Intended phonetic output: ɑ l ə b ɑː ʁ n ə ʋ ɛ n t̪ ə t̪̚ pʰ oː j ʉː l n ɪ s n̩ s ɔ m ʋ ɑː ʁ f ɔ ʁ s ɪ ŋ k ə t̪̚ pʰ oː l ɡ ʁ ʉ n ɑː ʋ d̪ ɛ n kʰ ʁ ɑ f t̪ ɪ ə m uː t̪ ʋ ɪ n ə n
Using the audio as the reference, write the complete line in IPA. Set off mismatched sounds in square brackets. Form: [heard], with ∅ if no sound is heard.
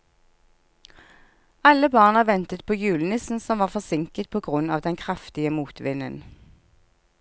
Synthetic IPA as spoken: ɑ l ə b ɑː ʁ n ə ʋ ɛ n t̪ ə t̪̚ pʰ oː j ʉː l n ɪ s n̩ s ɔ m ʋ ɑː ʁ f ɔ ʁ s ɪ ŋ k ə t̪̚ pʰ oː [∅] ɡ ʁ ʉ n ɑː ʋ d̪ ɛ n kʰ ʁ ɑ f t̪ ɪ ə m uː t̪ ʋ ɪ n ə n